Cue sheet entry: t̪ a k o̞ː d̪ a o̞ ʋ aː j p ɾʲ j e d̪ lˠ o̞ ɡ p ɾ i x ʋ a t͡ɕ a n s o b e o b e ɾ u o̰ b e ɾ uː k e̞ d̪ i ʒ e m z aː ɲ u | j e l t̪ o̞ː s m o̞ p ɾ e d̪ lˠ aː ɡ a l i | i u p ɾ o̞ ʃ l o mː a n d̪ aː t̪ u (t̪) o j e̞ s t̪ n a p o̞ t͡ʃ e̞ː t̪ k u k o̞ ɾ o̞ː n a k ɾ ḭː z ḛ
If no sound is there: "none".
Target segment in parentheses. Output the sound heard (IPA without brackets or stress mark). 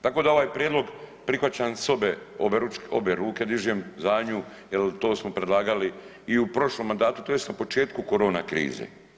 t̪